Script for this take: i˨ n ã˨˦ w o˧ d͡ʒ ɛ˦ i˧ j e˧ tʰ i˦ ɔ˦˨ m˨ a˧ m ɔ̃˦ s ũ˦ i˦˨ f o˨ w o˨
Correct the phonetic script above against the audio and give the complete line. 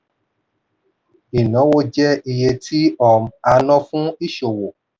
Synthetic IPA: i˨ n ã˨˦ w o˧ d͡ʒ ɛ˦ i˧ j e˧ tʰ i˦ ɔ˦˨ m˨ a˧ n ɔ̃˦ f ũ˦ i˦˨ ʃ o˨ w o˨